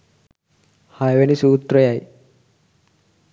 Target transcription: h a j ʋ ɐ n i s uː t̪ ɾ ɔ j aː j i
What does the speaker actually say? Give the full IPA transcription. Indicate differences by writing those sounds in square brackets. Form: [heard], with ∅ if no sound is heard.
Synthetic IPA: h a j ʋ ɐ n i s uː t̪ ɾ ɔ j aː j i